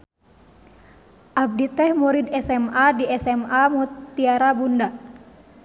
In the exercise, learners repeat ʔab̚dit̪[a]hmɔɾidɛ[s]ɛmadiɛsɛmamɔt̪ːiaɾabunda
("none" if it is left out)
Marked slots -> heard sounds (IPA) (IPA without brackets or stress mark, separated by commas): ɛ, s